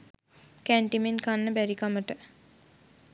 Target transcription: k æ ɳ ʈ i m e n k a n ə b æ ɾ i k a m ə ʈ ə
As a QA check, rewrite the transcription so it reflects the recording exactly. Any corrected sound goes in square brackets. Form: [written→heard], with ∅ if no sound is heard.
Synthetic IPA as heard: k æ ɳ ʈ i m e n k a [n→nː] ə b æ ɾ i k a m ə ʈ ə